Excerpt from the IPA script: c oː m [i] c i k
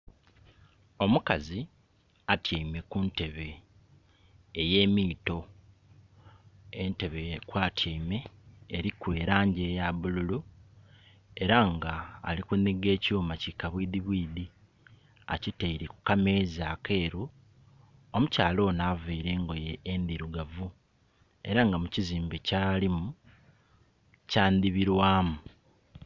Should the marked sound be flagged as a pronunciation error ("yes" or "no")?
yes